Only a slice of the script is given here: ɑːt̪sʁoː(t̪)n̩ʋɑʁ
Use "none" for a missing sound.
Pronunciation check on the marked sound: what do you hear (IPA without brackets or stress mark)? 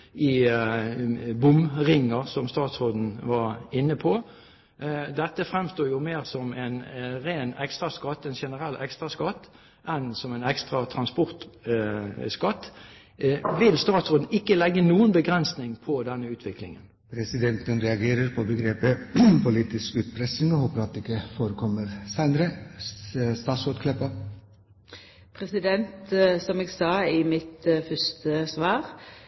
d̪